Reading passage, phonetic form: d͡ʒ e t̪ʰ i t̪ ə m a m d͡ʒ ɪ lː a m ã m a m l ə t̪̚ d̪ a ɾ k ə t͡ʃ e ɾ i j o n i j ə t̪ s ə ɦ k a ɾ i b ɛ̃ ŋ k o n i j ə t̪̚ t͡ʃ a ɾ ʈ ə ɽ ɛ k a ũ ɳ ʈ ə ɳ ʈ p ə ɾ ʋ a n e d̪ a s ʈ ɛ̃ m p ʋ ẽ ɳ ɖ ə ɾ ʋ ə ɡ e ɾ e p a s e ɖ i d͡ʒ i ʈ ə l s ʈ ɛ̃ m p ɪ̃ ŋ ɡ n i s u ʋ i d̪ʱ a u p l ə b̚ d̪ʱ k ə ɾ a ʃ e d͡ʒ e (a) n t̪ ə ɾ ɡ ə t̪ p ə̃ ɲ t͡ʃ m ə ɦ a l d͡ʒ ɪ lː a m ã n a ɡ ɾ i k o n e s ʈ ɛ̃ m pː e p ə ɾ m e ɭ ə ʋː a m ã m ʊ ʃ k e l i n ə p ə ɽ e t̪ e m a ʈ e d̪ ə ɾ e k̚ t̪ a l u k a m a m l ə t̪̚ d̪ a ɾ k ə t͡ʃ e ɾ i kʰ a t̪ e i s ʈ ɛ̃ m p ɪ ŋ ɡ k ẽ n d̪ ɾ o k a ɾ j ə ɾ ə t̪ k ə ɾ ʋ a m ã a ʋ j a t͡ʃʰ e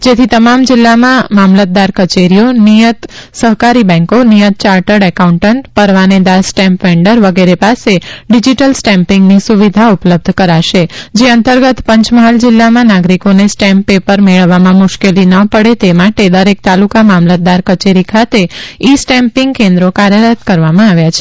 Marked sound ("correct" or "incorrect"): incorrect